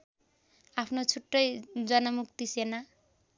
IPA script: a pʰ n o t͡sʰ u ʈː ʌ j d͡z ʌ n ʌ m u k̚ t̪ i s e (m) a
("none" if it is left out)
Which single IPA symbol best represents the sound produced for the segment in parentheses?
n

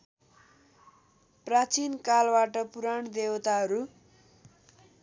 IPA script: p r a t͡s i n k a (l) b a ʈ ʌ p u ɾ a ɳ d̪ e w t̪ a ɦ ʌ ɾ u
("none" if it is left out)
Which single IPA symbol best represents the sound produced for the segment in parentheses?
l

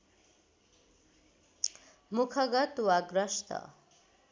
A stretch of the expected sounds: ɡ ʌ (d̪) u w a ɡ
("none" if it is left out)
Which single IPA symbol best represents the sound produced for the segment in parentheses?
t̪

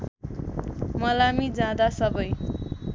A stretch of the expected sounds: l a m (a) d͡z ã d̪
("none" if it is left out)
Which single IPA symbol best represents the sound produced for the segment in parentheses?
i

